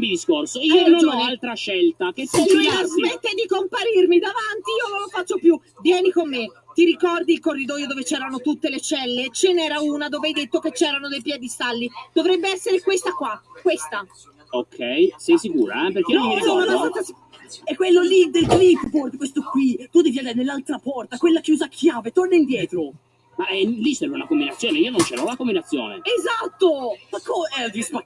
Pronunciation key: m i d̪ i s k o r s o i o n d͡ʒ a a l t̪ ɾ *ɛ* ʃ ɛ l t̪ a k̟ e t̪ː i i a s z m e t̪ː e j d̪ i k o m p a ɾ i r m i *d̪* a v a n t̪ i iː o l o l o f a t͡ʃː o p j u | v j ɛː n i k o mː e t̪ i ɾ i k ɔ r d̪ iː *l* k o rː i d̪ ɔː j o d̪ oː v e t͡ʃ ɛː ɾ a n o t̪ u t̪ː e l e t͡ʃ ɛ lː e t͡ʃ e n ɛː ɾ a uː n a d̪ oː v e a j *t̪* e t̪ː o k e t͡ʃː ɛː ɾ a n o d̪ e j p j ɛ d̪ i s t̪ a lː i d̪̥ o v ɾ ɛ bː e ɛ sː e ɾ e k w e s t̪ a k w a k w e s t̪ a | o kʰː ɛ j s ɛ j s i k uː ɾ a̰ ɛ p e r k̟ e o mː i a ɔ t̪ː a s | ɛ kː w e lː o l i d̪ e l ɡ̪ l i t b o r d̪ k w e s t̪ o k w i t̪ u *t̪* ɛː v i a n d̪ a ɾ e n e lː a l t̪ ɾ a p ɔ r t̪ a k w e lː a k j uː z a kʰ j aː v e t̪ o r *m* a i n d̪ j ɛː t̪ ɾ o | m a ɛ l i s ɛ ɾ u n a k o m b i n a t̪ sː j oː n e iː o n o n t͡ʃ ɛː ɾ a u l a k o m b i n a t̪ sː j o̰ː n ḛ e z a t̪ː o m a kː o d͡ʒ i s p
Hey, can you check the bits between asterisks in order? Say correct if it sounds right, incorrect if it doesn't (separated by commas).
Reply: incorrect, correct, correct, incorrect, incorrect, incorrect